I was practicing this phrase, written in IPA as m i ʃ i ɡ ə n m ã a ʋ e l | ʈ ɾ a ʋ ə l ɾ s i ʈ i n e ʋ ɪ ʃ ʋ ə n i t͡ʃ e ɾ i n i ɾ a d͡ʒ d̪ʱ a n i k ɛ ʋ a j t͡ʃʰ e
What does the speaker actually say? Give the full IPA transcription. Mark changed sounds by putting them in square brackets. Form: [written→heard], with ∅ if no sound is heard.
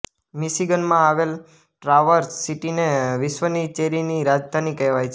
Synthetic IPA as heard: m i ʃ i ɡ ə n m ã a ʋ e l | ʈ ɾ a ʋ ə [l→∅] ɾ s i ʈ i n e ʋ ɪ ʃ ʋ ə n i t͡ʃ e ɾ i n i ɾ a d͡ʒ d̪ʱ a n i k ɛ ʋ a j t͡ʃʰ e